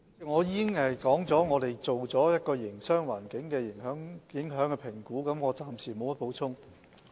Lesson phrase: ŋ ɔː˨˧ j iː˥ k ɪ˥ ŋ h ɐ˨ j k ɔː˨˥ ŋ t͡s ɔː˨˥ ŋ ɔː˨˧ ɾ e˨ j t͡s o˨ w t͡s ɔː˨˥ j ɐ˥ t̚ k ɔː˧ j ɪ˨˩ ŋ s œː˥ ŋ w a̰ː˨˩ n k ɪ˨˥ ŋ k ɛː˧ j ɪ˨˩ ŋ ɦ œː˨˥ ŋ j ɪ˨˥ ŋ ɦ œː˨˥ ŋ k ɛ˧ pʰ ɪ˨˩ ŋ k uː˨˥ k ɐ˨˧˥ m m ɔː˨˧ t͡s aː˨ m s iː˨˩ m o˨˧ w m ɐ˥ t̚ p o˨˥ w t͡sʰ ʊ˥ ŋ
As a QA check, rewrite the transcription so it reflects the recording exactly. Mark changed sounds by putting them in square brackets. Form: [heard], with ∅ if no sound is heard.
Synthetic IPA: ŋ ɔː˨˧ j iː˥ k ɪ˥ ŋ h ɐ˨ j k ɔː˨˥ ŋ t͡s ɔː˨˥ ŋ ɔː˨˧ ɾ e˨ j t͡s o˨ w t͡s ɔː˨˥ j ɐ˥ t̚ k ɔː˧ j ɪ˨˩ ŋ s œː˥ ŋ w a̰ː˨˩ n k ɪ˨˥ ŋ k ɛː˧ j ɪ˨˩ ŋ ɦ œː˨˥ ŋ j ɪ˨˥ ŋ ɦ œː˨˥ ŋ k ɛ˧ pʰ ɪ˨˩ ŋ k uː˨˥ k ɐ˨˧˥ m [ŋ] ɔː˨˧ t͡s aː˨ m s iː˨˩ m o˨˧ w m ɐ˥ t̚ p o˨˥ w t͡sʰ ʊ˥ ŋ

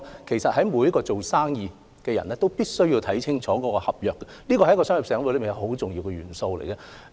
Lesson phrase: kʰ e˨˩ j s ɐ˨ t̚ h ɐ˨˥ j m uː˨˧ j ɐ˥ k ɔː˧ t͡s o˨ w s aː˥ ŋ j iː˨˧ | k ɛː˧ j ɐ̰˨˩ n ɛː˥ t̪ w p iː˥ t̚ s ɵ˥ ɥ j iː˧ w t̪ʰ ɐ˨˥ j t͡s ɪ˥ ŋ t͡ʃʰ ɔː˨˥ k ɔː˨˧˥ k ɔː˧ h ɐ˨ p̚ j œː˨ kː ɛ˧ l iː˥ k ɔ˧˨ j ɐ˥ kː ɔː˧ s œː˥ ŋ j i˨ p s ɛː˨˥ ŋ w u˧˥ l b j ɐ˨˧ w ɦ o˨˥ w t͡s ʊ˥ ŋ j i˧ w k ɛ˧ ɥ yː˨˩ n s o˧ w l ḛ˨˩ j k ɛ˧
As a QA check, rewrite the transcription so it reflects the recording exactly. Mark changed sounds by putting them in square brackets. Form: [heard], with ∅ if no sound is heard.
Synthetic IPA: kʰ e˨˩ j s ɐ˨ t̚ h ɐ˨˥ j m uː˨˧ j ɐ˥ k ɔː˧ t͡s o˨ w s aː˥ ŋ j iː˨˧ | k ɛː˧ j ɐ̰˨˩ n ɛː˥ t̪ w p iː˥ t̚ s ɵ˥ ɥ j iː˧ w t̪ʰ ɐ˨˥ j [t͡sʰ] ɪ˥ ŋ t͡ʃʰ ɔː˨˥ k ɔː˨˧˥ k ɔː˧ h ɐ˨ p̚ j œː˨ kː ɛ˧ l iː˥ k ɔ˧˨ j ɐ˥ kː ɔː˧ s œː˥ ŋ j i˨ p s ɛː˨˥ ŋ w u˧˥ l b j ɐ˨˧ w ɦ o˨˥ w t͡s [ʊ˨] ŋ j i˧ w k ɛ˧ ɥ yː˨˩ n s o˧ w l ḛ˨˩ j k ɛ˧

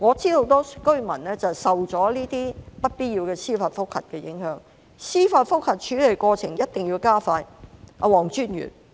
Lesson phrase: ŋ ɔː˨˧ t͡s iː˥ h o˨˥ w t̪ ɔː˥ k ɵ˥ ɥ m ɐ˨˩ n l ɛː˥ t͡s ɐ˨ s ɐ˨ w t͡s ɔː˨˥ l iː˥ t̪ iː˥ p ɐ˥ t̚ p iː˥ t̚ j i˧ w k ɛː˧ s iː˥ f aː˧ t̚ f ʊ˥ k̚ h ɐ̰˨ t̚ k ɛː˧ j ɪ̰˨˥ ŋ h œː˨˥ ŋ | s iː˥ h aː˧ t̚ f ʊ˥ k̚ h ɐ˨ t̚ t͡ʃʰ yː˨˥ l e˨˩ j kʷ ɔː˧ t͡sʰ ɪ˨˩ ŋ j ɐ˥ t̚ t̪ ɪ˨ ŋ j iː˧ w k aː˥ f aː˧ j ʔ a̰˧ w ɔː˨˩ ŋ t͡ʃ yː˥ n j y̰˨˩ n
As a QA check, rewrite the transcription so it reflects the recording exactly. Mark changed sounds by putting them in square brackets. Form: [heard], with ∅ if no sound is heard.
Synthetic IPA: ŋ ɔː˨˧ t͡s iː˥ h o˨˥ w t̪ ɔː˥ k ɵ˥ ɥ m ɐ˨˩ n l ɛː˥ t͡s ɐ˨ s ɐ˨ w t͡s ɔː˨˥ l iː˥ t̪ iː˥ p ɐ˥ t̚ p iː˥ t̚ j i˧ w k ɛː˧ s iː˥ f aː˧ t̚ f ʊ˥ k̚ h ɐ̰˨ t̚ k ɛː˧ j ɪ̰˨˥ ŋ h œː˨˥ ŋ | s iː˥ [f] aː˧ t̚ f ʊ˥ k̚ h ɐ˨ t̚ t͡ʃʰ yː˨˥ l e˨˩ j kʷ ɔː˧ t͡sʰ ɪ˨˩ ŋ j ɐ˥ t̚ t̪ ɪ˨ ŋ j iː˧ w k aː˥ f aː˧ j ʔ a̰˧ w ɔː˨˩ ŋ t͡ʃ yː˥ n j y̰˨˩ n

